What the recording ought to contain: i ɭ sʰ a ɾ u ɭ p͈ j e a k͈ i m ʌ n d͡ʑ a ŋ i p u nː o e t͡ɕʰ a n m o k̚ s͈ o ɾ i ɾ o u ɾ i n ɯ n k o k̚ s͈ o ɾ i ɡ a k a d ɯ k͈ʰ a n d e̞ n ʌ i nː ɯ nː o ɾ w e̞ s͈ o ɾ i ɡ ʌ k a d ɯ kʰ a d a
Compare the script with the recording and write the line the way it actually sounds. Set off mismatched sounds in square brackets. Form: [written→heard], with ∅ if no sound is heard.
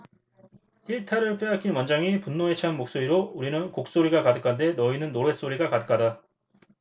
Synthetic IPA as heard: i ɭ [sʰ→tʰ] a ɾ [u→ɯ] ɭ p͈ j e a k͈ i m ʌ n d͡ʑ a ŋ i p u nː o e t͡ɕʰ a n m o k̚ s͈ o ɾ i ɾ o u ɾ i n ɯ n k o k̚ s͈ o ɾ i ɡ a k a d ɯ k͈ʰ a n d e̞ n ʌ i [nː→n] ɯ nː o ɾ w e̞ s͈ o ɾ i ɡ [ʌ→a] k a d ɯ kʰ a d a